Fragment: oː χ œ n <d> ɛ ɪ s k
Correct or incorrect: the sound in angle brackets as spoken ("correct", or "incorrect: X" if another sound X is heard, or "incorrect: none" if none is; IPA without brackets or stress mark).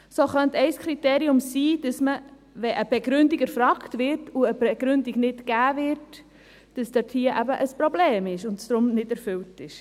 incorrect: t